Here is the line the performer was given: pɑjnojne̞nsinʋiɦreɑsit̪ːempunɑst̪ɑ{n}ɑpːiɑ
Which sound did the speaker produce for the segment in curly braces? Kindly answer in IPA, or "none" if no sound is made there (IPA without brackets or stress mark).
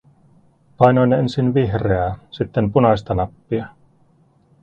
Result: n